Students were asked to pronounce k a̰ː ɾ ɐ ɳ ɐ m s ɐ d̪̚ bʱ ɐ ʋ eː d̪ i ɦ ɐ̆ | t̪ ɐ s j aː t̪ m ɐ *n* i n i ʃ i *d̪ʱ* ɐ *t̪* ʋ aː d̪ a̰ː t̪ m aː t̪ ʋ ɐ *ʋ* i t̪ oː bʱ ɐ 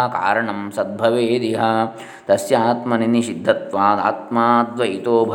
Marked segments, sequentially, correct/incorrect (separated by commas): correct, incorrect, correct, incorrect